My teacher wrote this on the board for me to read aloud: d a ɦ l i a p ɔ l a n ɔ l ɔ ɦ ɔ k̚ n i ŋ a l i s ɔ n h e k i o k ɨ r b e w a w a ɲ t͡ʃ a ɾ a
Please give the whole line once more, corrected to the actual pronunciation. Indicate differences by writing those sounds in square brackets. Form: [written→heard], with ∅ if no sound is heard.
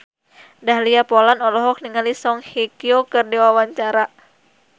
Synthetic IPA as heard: d a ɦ l i a p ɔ l a n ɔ l ɔ ɦ ɔ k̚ n i ŋ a l i s ɔ [n→ŋ] h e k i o k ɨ r [b→d] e w a w a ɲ t͡ʃ a ɾ a